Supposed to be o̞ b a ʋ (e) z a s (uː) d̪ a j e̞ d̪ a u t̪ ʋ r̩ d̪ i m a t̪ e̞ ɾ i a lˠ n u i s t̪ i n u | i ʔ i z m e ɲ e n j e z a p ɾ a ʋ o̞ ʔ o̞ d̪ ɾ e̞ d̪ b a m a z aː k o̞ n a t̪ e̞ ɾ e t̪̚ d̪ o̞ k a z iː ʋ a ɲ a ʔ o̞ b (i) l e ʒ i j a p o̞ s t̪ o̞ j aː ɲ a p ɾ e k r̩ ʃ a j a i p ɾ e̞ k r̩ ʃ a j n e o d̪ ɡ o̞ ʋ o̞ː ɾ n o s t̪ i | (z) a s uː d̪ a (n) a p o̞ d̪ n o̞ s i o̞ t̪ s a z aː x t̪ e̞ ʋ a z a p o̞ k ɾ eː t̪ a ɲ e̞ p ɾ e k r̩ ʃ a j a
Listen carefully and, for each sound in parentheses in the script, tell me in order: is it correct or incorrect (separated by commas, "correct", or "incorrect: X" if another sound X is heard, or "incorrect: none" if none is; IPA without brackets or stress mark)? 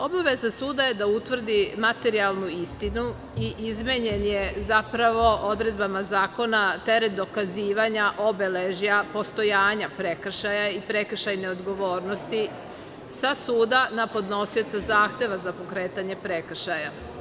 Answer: correct, correct, incorrect: e, incorrect: s, correct